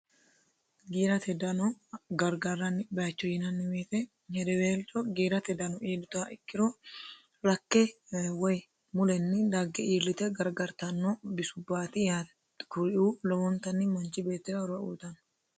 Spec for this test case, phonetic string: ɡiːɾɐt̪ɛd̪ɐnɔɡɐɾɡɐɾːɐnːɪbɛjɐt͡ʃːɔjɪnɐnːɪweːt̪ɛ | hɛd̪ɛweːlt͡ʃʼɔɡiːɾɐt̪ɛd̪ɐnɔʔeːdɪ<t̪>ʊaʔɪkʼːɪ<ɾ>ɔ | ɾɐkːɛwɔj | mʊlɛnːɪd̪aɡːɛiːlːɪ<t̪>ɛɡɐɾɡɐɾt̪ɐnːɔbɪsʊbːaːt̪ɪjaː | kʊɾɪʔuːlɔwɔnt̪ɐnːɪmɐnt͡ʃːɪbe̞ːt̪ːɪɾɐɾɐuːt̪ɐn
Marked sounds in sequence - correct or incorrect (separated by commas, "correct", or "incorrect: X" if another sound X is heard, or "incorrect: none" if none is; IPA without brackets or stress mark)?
correct, correct, correct